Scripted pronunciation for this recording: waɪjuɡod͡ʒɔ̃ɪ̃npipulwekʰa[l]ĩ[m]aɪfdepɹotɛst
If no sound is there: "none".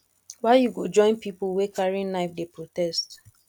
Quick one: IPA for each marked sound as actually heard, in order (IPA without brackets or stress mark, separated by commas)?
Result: ɹ, n